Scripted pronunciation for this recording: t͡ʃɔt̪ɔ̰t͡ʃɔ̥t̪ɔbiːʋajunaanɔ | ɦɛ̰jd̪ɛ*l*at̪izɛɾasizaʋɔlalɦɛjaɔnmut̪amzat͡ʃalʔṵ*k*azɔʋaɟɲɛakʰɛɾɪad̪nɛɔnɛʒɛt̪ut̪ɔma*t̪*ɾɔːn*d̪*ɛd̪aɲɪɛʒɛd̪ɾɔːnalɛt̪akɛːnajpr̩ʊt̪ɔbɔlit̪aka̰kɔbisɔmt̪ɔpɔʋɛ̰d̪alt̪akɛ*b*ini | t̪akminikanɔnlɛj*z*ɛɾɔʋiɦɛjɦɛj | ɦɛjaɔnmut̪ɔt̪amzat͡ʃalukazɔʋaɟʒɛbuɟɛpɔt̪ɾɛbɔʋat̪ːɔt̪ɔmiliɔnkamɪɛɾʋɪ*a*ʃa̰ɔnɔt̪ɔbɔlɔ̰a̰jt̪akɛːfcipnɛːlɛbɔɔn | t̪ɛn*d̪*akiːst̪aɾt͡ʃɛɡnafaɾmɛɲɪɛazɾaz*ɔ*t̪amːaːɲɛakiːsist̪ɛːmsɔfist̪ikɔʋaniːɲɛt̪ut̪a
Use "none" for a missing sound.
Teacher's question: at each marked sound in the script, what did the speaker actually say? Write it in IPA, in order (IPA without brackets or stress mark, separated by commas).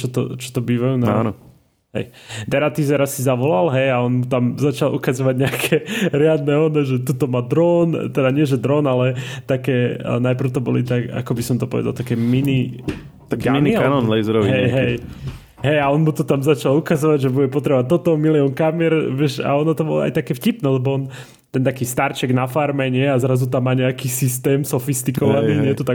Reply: ɾ, k, d̪, t̪, m, z, ɛ, t̪, u